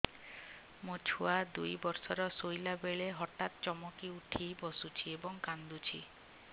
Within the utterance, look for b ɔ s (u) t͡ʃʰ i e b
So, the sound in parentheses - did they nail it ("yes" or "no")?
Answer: yes